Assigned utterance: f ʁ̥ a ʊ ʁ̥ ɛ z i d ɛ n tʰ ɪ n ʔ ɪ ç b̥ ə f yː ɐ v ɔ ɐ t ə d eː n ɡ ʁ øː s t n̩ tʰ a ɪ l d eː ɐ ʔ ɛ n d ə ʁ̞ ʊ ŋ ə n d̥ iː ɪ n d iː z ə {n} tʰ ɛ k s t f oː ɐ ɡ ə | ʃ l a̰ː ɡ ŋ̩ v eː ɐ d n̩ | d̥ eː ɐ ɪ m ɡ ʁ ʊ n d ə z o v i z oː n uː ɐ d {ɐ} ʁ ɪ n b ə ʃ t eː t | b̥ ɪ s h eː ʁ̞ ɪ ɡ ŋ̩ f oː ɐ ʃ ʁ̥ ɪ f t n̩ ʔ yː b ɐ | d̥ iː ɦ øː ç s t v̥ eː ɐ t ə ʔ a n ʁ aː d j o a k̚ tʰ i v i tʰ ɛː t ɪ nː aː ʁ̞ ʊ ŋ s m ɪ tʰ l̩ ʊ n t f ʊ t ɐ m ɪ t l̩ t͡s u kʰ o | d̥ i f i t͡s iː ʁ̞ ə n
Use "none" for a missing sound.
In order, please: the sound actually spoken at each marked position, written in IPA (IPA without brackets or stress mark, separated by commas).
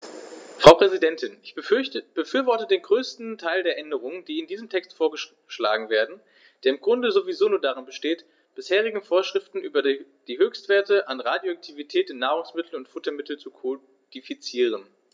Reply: m, a